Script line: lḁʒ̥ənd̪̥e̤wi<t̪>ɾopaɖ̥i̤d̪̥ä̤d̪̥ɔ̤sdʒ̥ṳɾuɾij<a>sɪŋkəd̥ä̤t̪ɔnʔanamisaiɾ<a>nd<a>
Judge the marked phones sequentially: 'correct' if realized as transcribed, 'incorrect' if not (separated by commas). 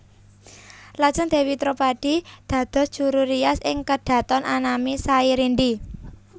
correct, correct, incorrect, incorrect